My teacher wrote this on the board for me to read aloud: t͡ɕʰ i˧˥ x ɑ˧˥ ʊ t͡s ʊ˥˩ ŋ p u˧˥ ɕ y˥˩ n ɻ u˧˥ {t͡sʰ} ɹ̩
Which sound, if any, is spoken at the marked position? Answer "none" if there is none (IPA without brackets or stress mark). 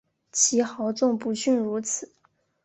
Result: t͡sʰ